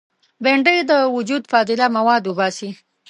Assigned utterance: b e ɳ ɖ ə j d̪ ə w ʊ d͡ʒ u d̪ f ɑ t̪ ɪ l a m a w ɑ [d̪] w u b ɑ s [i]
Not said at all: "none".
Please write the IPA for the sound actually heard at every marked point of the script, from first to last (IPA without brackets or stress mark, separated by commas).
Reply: d̪, i